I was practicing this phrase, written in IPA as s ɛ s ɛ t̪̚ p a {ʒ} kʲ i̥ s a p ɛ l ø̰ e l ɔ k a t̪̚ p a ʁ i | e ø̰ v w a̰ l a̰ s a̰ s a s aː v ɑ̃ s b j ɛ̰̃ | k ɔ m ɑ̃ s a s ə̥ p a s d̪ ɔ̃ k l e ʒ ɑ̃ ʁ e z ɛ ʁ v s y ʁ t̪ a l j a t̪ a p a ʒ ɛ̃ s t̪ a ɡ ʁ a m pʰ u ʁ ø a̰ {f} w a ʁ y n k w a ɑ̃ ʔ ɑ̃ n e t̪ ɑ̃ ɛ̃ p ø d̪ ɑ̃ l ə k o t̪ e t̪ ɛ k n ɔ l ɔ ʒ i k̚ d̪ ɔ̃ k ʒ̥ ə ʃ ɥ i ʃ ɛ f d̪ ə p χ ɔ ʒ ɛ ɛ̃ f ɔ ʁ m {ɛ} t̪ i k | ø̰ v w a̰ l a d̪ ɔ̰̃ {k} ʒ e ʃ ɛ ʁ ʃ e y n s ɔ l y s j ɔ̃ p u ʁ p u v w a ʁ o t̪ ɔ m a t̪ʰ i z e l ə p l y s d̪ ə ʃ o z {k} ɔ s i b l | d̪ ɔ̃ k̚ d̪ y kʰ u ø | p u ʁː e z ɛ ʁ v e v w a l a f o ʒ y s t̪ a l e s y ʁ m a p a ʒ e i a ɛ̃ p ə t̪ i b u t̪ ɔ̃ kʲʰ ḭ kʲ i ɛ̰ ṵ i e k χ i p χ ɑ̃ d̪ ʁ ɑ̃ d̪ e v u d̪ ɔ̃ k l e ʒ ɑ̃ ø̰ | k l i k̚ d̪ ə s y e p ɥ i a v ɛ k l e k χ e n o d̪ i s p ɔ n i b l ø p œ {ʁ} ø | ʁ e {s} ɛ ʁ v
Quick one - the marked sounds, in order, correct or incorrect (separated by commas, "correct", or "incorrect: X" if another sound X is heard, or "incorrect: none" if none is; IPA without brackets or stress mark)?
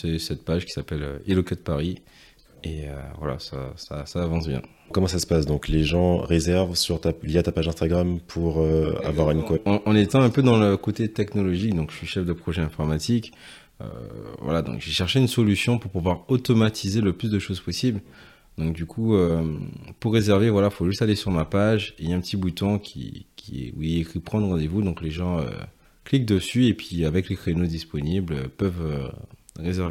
correct, incorrect: v, incorrect: a, correct, incorrect: p, incorrect: v, incorrect: z